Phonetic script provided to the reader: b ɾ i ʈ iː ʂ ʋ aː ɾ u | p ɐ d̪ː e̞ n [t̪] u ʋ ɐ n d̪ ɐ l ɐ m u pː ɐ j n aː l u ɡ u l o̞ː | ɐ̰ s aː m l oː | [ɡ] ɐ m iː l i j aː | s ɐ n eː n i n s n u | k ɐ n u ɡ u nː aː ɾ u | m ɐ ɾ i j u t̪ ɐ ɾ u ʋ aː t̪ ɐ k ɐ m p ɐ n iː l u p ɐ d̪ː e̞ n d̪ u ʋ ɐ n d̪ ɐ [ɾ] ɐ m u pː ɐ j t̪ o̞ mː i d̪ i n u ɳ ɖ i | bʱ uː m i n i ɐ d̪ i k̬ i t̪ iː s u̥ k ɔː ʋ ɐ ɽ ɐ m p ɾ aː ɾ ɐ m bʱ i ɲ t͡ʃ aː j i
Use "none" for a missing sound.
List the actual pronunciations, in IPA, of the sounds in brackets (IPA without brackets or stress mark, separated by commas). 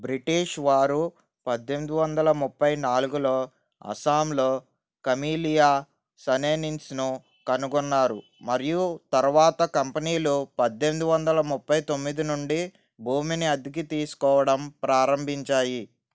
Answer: d̪, k, l